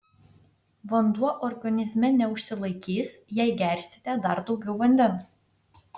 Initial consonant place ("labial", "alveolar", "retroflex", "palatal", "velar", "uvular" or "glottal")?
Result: labial